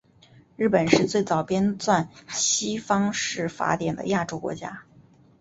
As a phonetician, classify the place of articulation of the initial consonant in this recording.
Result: retroflex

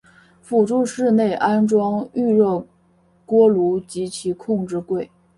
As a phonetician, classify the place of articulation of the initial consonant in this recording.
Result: labial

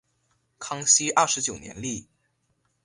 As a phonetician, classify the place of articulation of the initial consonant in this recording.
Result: velar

